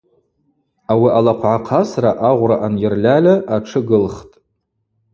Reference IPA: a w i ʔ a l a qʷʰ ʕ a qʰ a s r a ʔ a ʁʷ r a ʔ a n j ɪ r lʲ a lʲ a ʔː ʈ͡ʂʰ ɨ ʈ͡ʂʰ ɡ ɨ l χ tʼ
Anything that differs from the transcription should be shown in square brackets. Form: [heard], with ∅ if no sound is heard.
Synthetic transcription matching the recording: a w i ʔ a l a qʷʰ ʕ a qʰ a s r a ʔ a ʁʷ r a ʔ a n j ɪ r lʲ a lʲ a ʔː ʈ͡ʂʰ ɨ [∅] ɡ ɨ l χ tʼ